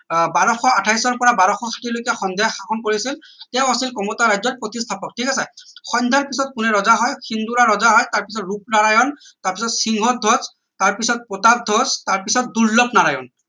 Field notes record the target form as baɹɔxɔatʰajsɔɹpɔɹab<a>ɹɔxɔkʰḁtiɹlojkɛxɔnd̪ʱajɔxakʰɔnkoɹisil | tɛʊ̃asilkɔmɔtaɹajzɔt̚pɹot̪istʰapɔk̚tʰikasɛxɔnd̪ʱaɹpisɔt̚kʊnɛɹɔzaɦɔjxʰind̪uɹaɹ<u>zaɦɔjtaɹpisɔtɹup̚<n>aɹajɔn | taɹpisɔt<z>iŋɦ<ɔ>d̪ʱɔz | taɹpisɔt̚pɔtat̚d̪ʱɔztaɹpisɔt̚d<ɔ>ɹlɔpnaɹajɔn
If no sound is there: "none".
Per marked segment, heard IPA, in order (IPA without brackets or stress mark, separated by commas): a, ɔ, n, s, ɔ, u